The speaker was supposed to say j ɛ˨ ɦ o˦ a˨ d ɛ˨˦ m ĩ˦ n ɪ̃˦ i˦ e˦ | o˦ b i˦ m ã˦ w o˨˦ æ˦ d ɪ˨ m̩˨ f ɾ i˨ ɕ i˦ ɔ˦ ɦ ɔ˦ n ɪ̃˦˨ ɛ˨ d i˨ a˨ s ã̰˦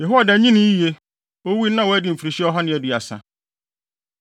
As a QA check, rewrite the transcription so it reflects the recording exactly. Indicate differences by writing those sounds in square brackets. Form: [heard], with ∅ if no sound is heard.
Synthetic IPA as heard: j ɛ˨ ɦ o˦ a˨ d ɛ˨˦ [ɲ] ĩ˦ n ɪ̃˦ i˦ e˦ | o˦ [w] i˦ [n] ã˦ w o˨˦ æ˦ d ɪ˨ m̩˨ f ɾ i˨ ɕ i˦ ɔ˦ ɦ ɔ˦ n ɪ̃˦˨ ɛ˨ d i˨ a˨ s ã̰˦